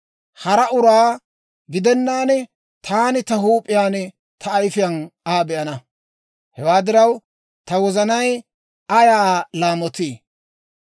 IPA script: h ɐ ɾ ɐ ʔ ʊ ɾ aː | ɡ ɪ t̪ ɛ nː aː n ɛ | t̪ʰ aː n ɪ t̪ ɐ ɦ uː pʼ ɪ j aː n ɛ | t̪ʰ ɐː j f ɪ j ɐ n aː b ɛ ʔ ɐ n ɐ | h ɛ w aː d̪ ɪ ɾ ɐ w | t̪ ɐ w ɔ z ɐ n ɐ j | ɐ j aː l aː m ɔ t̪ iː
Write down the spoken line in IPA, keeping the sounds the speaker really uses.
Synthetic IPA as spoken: h ɐ ɾ ɐ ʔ ʊ ɾ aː | ɡ ɪ d̪ ɛ nː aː n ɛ | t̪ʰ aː n ɪ t̪ ɐ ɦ uː pʼ ɪ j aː n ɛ | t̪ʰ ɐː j f ɪ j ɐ n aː b ɛ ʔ ɐ n ɐ | h ɛ w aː d̪ ɪ ɾ ɐ w | t̪ ɐ w ɔ z ɐ n ɐ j | ɐ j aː l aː m ɔ t̪ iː